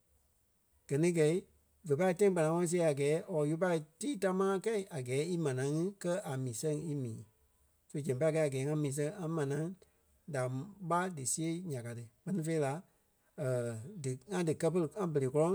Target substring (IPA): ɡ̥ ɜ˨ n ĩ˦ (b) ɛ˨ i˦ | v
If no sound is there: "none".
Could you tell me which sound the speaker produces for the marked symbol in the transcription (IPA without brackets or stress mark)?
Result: ɡ